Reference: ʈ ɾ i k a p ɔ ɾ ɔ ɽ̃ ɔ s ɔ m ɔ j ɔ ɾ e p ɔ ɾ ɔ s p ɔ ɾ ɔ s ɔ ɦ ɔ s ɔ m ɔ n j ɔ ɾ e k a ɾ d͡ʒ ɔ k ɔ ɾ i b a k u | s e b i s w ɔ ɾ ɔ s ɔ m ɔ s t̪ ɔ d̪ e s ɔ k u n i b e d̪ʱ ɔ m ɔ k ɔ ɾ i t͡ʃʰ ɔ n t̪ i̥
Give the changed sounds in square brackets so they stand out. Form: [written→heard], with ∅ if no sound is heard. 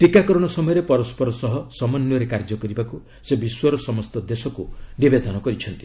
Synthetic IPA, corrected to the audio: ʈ ɾ i k a [p→k] ɔ ɾ ɔ ɽ̃ ɔ s ɔ m ɔ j ɔ ɾ e p ɔ ɾ ɔ s p ɔ ɾ ɔ s ɔ ɦ ɔ s ɔ m ɔ n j ɔ ɾ e k a ɾ d͡ʒ ɔ k ɔ ɾ i b a k u | s e b i s w ɔ ɾ ɔ s ɔ m ɔ s t̪ ɔ d̪ e s ɔ k u n i b e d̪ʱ ɔ [m→n] ɔ k ɔ ɾ i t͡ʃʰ ɔ n t̪ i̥